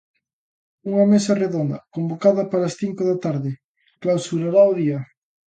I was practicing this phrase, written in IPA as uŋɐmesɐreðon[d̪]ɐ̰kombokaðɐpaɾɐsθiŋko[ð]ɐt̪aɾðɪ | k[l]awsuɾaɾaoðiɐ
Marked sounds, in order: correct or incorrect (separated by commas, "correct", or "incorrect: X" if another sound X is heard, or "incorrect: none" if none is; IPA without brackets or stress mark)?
correct, correct, correct